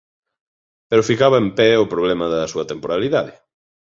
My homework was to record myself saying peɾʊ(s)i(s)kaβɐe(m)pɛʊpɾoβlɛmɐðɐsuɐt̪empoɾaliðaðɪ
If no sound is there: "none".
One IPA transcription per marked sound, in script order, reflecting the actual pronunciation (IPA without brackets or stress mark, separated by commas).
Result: f, none, m